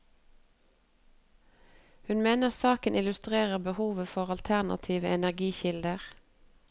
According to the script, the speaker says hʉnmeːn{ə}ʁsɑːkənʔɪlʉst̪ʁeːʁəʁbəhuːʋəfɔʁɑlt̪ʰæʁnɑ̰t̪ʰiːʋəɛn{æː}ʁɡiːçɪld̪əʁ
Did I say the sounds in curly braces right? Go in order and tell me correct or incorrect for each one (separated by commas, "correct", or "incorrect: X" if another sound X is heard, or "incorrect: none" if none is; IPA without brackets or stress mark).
correct, incorrect: æ